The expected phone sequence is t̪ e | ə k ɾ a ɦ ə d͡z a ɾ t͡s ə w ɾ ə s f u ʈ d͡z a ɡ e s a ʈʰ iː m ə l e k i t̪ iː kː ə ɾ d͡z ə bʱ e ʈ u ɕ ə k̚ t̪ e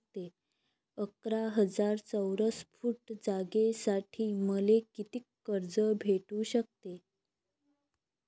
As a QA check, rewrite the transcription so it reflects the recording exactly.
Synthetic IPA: t̪ e | ə k ɾ a ɦ ə d͡z a ɾ t͡s ə w ɾ ə s f u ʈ d͡z a ɡ e s a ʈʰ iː m ə l e k i t̪ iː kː ə ɾ d͡z ə bʱ e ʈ u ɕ ə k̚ t̪ e